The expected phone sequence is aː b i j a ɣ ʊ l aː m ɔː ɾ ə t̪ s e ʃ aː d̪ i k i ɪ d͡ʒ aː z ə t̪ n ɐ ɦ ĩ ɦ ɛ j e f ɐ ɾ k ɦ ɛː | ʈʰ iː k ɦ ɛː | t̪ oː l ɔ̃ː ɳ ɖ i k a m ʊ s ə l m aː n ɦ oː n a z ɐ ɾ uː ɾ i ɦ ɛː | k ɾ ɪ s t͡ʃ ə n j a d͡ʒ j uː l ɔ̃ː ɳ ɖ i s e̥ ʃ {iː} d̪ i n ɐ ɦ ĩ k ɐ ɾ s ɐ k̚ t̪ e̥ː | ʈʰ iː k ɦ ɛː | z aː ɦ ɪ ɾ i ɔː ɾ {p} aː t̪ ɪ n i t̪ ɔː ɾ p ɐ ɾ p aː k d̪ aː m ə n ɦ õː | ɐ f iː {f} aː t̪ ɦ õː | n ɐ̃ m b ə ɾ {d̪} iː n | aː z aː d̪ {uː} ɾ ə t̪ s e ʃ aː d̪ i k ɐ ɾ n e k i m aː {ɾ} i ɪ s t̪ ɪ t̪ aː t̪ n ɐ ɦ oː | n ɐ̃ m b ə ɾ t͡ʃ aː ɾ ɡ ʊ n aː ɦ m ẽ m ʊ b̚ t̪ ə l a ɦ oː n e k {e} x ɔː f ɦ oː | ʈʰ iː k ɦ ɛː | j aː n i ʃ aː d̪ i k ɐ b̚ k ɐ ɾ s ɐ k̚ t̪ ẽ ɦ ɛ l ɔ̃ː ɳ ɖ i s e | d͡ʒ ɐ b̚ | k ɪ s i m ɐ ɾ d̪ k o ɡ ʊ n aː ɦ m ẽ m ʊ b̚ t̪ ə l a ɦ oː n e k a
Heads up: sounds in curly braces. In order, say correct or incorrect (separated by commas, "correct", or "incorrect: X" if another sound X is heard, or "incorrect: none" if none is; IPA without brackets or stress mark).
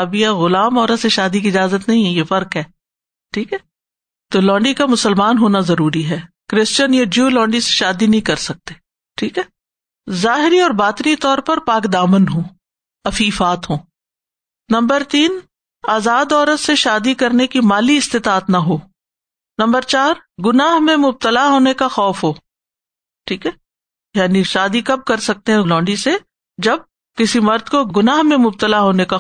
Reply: incorrect: aː, incorrect: b, correct, incorrect: t̪, incorrect: ɔː, incorrect: l, incorrect: a